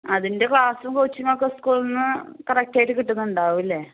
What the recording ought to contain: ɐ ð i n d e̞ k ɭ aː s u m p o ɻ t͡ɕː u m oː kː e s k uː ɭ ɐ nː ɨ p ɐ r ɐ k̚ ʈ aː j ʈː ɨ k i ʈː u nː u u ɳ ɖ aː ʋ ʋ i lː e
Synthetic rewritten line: ɐ ð i n d e̞ k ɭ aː s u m k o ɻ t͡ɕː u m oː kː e s k uː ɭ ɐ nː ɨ k ɐ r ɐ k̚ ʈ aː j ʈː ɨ k i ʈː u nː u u ɳ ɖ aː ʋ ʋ i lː e